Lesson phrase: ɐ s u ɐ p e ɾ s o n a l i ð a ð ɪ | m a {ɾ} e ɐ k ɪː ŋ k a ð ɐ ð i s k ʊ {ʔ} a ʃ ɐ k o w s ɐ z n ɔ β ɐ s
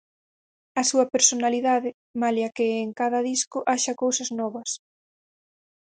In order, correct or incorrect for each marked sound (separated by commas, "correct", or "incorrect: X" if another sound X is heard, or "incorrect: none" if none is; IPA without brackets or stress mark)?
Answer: incorrect: l, correct